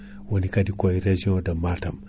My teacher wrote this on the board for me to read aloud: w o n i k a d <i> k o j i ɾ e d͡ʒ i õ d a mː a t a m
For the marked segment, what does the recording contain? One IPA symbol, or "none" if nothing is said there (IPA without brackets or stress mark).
i